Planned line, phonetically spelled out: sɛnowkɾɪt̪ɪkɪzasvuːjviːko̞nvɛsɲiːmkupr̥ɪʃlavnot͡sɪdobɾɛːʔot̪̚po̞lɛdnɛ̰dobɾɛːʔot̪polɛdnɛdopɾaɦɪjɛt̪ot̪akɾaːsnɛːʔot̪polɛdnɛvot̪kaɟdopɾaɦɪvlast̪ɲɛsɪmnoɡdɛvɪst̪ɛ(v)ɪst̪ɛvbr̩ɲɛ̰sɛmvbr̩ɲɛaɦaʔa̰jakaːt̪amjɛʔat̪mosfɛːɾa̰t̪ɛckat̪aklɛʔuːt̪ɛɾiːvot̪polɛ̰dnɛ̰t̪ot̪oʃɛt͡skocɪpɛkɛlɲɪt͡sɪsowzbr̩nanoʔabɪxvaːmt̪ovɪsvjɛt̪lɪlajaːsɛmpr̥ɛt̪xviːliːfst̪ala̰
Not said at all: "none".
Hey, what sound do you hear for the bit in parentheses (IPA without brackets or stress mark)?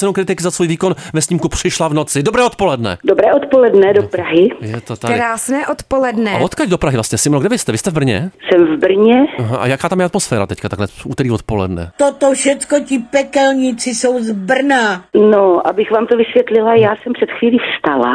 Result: v